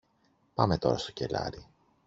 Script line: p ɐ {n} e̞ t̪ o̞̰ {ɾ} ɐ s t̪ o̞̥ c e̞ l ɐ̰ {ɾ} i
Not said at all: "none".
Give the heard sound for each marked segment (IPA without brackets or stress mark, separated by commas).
m, ɾ, ɾ